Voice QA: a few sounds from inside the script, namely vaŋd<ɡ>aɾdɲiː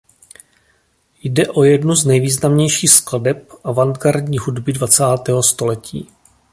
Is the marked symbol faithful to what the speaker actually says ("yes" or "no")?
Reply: yes